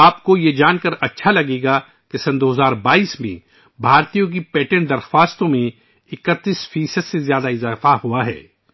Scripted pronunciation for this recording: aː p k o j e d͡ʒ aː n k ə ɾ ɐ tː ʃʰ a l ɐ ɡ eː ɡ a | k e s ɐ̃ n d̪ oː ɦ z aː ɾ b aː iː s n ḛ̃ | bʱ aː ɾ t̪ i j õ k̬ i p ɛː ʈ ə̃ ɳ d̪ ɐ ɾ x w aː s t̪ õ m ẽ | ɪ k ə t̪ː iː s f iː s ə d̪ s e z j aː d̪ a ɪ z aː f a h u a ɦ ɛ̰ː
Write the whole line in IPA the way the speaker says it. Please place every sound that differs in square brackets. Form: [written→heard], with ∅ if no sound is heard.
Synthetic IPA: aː p k o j e d͡ʒ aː n k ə ɾ ɐ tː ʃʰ a l ɐ ɡ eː ɡ a | k e s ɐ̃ n d̪ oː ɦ z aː ɾ b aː iː s [n→m] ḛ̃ | bʱ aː ɾ t̪ i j õ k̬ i p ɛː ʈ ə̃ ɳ d̪ ɐ ɾ x w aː s t̪ õ m ẽ | ɪ k ə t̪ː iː s f iː s ə d̪ s e z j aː d̪ a ɪ z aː f a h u a ɦ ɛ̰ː